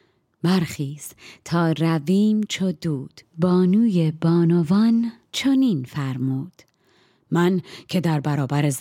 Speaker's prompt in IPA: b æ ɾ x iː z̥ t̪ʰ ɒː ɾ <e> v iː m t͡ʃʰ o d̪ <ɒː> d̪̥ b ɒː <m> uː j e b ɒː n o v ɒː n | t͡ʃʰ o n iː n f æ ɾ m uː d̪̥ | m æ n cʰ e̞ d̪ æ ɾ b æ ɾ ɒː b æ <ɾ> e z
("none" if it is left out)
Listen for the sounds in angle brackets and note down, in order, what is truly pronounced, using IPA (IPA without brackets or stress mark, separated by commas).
æ, uː, n, ɾ